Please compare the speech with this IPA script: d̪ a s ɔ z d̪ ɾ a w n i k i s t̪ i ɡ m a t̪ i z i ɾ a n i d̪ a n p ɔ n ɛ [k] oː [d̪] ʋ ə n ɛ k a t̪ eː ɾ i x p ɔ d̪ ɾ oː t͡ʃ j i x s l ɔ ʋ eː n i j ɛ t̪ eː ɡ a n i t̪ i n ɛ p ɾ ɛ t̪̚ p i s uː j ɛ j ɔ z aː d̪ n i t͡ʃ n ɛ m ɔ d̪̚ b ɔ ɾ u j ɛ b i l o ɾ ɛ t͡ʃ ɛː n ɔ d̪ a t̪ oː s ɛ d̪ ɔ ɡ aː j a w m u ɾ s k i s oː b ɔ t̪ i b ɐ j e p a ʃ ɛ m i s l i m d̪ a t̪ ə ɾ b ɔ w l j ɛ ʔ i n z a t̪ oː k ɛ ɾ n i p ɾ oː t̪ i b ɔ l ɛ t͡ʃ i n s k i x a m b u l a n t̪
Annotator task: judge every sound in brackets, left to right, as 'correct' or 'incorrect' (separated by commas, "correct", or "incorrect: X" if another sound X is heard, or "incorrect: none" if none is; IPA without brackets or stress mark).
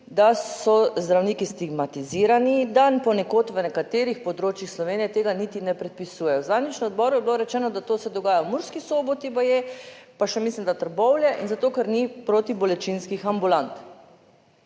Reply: correct, incorrect: t̪